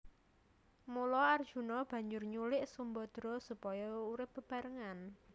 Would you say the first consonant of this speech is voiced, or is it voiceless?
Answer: voiced